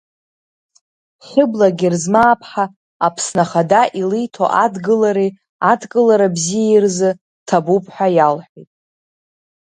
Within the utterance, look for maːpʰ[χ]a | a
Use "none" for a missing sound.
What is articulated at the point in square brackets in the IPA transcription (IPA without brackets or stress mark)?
ħ